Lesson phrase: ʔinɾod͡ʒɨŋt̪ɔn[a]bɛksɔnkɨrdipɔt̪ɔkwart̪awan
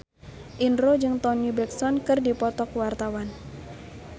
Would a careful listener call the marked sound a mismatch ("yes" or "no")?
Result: yes